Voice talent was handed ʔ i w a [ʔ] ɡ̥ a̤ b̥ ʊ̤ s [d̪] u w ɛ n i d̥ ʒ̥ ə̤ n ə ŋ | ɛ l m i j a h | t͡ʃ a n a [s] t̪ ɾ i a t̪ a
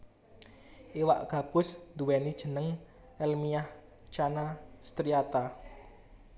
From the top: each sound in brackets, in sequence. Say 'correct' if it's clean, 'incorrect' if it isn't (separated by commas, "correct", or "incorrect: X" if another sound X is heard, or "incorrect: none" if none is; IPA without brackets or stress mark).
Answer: correct, correct, correct